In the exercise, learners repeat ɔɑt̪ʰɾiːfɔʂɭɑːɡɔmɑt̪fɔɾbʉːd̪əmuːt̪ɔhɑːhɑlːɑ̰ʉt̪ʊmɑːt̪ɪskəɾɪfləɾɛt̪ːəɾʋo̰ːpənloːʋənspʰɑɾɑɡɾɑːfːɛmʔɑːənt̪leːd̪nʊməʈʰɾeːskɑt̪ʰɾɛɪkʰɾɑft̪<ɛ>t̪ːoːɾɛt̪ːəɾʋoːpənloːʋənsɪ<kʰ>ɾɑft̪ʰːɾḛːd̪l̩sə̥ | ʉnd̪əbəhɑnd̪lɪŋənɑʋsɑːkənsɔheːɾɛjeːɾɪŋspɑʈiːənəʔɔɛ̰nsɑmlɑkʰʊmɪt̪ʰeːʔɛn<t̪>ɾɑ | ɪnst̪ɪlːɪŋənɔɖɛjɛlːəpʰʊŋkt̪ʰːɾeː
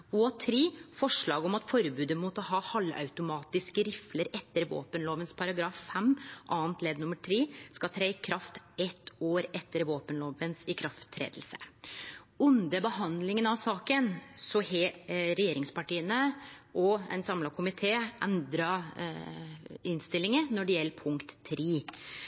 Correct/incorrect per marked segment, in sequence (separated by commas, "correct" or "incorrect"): correct, correct, incorrect